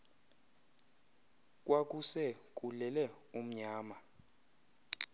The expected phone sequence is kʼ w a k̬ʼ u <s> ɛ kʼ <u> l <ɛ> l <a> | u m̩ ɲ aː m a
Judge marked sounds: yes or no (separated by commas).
yes, yes, yes, no